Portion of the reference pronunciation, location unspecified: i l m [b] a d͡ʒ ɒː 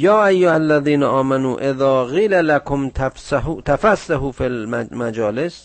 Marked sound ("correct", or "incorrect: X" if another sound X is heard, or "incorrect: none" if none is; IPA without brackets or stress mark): incorrect: m